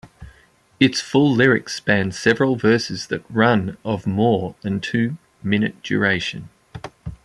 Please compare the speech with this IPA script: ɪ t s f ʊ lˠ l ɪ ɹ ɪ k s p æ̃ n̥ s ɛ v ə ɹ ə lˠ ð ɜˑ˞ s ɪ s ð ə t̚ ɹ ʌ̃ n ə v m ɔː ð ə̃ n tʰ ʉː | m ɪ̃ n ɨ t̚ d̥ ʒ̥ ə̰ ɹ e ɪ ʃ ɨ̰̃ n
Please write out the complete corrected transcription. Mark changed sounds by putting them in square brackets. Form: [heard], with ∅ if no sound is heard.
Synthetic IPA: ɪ t s f ʊ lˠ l ɪ ɹ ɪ k s p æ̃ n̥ s ɛ v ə ɹ ə lˠ [v] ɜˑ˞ s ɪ [z] ð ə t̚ ɹ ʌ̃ n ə v m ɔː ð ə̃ n tʰ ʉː | m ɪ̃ n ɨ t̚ d̥ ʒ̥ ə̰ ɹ e ɪ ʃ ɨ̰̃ n